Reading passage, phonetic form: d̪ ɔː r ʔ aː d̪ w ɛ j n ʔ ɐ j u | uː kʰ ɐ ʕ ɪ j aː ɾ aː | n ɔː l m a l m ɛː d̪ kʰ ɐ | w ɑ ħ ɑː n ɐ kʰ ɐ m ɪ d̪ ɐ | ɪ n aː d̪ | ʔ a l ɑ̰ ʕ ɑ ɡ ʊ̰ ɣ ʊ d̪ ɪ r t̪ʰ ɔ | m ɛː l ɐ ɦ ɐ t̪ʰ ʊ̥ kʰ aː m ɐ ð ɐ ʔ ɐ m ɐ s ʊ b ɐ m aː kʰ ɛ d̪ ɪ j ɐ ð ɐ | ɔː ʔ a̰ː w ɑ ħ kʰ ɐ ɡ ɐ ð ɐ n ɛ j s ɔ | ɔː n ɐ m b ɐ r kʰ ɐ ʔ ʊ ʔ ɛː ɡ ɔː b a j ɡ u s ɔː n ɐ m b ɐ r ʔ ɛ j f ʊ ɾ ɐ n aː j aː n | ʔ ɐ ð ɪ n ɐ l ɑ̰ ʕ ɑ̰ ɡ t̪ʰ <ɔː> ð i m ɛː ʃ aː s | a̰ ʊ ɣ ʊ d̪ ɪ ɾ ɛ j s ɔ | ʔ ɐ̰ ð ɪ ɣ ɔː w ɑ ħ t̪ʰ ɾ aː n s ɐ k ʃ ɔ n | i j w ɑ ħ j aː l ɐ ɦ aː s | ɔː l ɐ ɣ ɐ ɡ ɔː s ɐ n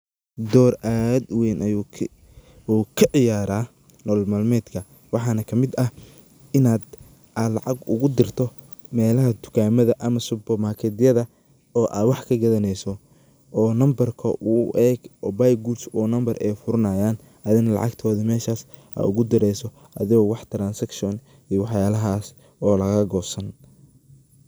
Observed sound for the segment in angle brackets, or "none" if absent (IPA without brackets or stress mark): ɔː